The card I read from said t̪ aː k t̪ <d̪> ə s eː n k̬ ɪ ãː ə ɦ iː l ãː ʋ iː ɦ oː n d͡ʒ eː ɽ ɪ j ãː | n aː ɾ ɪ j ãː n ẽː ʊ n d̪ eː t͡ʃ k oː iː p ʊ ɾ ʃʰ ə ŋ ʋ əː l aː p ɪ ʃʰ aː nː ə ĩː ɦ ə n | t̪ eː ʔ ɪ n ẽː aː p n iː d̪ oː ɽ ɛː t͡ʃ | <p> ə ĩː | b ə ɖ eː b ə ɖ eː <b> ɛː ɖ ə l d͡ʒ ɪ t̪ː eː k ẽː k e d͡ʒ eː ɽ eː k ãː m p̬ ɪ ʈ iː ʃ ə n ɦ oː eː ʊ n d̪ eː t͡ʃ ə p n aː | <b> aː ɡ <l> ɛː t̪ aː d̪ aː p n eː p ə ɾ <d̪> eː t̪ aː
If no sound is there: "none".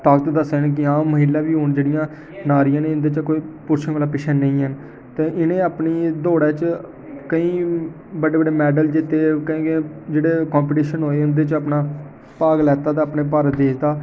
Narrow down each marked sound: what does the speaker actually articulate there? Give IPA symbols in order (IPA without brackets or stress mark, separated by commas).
d̪, k, m, p, l, d̪